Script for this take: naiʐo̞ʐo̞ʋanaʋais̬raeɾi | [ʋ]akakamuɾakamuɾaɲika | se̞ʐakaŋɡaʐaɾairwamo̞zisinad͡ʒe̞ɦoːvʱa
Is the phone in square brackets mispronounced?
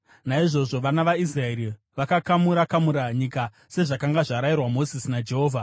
no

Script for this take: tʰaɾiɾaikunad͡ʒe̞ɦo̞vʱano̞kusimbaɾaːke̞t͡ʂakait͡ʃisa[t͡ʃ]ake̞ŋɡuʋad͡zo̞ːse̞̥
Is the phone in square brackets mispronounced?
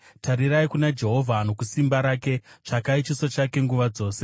no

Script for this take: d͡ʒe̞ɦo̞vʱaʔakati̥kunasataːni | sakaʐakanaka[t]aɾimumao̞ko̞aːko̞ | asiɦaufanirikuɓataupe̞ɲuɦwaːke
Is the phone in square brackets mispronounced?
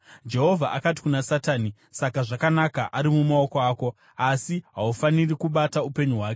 yes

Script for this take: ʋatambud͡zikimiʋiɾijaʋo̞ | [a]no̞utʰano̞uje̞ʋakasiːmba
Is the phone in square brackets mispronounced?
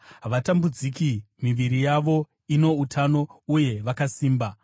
yes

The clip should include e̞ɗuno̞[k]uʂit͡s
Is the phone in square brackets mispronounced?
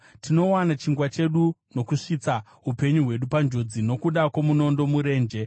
no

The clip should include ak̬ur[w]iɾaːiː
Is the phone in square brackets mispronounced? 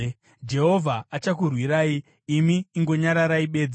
no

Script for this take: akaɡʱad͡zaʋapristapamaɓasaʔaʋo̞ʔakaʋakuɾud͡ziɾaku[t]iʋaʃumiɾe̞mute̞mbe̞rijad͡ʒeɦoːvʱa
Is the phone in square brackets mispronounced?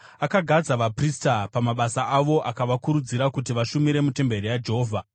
no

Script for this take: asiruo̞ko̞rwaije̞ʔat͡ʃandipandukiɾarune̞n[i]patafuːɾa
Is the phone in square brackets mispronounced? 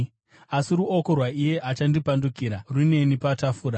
no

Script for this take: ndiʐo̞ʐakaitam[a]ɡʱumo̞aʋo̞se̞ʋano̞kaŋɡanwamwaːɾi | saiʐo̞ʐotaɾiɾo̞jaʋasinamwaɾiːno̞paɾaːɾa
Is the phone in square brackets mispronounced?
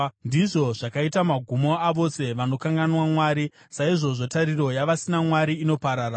no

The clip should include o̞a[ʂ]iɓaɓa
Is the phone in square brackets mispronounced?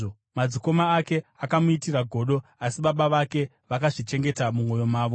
yes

